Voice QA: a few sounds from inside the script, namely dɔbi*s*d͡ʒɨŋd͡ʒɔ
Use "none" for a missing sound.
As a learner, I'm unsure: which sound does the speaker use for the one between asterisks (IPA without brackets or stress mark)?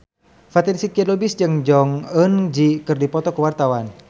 s